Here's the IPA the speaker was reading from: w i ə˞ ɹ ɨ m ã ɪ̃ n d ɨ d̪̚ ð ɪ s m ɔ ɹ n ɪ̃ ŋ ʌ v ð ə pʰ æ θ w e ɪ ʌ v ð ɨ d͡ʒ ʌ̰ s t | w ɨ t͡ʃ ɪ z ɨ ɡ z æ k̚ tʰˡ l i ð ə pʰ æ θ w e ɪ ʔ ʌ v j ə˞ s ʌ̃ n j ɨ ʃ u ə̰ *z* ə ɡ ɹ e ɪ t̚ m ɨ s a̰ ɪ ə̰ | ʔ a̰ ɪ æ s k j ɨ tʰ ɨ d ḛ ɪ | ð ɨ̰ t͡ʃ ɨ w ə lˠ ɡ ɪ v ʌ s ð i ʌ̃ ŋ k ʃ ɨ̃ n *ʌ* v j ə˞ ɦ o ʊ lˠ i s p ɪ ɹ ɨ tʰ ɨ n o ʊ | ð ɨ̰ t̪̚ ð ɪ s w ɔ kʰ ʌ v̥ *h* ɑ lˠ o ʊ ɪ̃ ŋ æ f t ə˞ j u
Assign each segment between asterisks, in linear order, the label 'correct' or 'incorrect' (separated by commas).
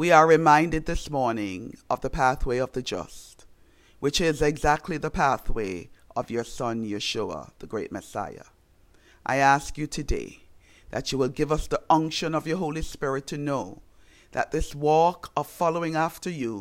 incorrect, correct, incorrect